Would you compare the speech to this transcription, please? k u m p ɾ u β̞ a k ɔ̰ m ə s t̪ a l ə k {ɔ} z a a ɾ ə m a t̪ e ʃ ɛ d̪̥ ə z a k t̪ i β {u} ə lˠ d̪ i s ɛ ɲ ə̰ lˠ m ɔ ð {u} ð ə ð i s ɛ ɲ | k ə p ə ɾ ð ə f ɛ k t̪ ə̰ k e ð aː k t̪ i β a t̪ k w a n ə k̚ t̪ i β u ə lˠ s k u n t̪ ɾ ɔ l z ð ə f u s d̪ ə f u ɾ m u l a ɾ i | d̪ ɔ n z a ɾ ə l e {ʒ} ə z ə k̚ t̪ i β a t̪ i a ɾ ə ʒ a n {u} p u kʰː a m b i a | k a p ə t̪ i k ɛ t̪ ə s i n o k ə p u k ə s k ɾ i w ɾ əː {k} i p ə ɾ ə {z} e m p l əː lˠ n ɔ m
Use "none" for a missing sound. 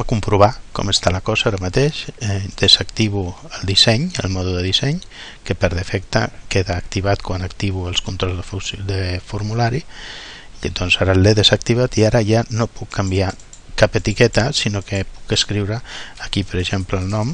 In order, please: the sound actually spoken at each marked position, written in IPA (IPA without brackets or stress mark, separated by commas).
ɔ, u, u, ð, o, k, ʒ